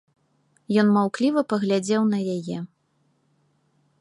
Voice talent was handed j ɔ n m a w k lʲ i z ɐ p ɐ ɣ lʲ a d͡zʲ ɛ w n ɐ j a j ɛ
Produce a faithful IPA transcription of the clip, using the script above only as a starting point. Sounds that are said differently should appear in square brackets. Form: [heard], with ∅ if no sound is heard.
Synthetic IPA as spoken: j ɔ n m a w k lʲ i [v] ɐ p ɐ ɣ lʲ a d͡zʲ ɛ w n ɐ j a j ɛ